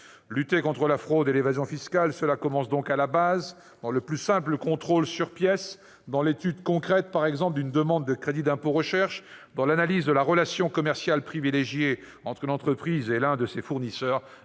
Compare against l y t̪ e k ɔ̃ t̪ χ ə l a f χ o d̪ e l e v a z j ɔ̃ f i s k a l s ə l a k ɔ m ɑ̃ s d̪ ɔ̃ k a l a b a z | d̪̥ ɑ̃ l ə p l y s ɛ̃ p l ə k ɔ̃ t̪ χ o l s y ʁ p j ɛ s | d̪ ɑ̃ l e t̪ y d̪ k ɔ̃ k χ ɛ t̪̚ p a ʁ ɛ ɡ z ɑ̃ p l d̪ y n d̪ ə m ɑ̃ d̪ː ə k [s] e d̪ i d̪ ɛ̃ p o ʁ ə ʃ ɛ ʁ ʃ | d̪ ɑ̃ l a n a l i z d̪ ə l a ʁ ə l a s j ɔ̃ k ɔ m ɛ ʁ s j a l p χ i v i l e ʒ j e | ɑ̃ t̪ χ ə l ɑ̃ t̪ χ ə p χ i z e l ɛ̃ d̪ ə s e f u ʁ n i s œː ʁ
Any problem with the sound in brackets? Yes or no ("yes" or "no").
yes